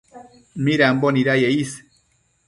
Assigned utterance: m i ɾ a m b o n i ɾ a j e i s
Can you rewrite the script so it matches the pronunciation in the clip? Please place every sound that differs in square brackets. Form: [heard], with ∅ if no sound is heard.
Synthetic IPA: m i ɾ a m b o n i ɾ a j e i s